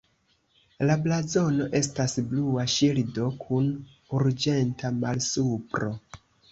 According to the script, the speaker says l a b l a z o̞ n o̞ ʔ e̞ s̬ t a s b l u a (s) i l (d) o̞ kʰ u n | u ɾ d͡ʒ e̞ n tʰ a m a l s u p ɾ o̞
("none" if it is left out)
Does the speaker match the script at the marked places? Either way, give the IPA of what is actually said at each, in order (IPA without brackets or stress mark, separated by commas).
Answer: ʃ, d